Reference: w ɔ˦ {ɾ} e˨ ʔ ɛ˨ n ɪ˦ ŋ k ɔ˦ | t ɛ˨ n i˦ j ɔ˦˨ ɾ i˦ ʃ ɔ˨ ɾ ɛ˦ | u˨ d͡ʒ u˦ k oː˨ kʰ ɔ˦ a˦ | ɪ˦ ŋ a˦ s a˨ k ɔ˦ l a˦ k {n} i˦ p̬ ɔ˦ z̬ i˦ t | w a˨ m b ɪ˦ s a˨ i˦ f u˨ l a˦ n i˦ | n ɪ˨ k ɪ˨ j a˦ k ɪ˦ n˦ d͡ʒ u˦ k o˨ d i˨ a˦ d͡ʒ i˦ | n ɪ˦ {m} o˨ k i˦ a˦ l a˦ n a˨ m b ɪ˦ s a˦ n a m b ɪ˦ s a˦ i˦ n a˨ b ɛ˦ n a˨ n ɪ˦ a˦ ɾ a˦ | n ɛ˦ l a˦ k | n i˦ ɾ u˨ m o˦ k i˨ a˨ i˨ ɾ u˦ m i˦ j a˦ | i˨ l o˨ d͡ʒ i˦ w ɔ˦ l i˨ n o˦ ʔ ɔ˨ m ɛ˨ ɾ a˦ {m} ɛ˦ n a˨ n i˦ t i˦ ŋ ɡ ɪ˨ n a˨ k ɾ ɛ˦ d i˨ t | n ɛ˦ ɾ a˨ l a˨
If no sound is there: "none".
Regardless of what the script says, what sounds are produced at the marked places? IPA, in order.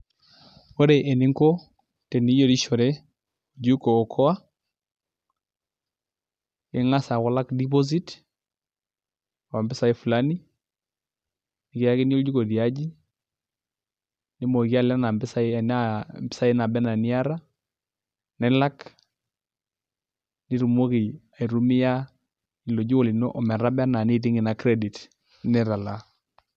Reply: ɾ, d, m, b

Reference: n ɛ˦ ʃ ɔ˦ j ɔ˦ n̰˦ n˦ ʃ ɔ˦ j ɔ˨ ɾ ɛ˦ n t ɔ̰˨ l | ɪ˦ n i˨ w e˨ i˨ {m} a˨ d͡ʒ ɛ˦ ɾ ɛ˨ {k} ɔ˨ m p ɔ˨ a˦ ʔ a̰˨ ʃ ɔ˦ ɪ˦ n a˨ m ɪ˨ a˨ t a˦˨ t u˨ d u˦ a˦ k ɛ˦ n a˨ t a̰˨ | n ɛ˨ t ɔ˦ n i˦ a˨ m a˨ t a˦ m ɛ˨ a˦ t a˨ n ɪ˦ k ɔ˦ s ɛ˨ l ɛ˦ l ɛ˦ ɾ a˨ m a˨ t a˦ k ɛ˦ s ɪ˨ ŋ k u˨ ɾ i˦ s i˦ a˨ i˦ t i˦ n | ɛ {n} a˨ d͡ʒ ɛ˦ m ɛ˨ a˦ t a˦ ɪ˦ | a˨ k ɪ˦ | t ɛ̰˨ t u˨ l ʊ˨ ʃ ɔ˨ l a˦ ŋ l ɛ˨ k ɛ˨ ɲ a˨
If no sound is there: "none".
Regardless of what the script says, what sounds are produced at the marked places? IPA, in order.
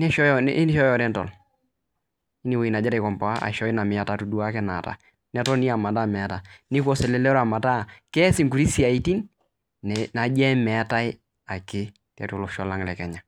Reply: n, k, n

